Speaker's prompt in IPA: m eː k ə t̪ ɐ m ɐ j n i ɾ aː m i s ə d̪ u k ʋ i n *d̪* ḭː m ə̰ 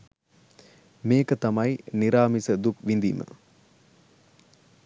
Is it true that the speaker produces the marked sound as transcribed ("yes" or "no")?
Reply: yes